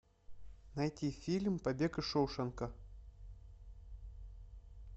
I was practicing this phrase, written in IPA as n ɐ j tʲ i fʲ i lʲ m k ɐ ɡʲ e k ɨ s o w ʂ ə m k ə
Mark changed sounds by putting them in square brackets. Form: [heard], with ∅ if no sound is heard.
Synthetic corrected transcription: n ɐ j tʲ i fʲ i lʲ m [p] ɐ [bʲ] e k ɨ [ʂ] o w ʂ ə [n] k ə